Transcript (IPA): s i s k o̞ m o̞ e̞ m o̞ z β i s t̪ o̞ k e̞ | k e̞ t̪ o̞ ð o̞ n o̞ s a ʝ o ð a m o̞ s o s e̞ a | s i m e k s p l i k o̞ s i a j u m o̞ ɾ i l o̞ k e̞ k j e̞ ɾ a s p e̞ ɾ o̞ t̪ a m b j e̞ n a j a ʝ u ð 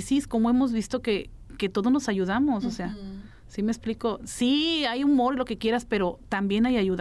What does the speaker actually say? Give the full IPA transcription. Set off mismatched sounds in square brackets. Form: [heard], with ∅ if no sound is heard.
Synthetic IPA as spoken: s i s k o̞ m o̞ e̞ m o̞ z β i s t̪ o̞ k e̞ | k e̞ t̪ o̞ ð o̞ n o̞ s a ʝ [u] ð a m o̞ s o s e̞ a | s i m e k s p l i k o̞ s i a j u m o̞ ɾ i l o̞ k e̞ k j e̞ ɾ a s p e̞ ɾ o̞ t̪ a m b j e̞ n a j a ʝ u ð